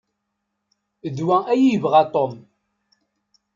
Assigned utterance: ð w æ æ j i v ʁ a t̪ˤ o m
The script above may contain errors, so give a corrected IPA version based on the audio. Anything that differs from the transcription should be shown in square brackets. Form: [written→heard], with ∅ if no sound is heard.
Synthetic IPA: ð w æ æ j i v ʁ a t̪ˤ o m